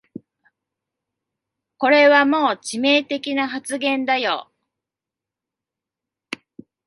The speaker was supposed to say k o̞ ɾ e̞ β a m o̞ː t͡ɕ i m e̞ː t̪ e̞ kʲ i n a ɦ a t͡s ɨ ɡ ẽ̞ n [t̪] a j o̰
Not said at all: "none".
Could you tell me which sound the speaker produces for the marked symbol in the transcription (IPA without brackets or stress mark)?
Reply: d̪